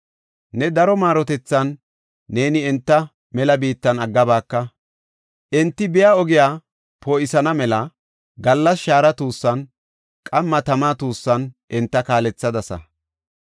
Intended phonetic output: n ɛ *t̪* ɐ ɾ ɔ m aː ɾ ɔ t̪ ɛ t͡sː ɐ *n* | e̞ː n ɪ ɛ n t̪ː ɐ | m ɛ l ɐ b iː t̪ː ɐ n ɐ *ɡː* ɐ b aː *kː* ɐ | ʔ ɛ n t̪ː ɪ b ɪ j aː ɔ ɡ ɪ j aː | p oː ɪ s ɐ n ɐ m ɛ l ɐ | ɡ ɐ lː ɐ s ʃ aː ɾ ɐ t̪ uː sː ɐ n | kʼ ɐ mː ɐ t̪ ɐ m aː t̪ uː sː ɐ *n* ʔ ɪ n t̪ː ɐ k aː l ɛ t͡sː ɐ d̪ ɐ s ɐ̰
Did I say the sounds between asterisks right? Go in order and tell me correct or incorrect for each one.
incorrect, incorrect, correct, correct, correct

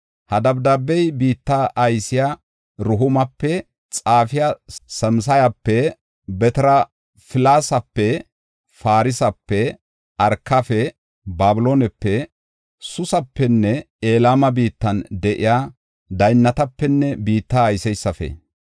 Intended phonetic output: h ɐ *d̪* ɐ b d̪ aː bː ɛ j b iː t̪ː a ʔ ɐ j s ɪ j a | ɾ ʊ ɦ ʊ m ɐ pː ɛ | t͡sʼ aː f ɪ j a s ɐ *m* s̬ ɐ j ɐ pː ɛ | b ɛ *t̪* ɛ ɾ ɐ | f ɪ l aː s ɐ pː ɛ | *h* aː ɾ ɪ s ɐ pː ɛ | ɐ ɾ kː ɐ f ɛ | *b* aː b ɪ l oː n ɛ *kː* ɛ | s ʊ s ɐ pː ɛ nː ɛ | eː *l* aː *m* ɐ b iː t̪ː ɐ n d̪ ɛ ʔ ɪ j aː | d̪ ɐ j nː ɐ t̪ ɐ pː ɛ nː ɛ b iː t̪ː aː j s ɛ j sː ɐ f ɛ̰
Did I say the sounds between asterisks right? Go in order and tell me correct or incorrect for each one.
correct, correct, correct, incorrect, correct, incorrect, correct, correct

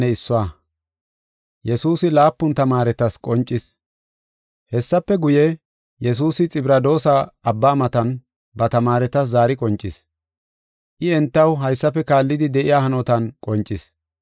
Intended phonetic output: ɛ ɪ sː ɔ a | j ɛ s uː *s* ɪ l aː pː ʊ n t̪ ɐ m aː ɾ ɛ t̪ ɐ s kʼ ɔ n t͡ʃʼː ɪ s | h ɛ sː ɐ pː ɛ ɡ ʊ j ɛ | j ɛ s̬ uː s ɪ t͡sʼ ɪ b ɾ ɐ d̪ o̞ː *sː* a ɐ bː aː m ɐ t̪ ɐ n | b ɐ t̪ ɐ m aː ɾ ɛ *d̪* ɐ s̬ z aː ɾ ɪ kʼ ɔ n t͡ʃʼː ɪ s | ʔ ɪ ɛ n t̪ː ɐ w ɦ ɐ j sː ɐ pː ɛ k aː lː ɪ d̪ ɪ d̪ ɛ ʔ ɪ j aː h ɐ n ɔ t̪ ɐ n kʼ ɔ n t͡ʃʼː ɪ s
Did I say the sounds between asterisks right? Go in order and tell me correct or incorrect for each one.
correct, incorrect, incorrect

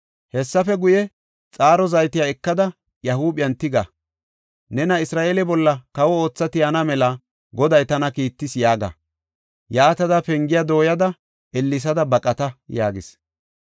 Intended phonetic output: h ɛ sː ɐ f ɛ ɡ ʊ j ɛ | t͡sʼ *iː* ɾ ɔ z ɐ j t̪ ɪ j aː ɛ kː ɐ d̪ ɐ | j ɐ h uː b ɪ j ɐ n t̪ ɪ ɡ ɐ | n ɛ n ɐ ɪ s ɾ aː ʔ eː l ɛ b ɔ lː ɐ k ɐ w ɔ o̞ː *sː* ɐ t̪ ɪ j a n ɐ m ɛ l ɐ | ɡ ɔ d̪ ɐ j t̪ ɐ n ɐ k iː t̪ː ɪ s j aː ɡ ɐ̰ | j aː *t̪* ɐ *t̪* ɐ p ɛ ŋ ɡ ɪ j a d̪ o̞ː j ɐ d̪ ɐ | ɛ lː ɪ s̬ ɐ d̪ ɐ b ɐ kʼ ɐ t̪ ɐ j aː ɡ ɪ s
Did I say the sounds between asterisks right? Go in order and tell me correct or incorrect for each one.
incorrect, incorrect, correct, incorrect

